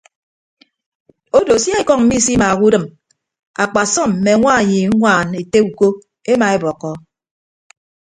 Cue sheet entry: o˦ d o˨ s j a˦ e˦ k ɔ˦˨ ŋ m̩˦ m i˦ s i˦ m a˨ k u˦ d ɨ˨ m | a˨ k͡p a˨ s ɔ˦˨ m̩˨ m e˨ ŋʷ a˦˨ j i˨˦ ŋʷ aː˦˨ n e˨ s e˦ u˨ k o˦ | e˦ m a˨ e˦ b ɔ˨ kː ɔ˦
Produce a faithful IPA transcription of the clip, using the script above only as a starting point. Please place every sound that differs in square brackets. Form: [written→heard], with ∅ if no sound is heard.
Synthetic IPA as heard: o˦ d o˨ s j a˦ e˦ k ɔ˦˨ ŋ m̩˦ m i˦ s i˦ m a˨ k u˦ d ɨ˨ m | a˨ k͡p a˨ s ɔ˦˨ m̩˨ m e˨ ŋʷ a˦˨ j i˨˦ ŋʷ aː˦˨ n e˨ [s→t] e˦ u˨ k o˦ | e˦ m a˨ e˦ b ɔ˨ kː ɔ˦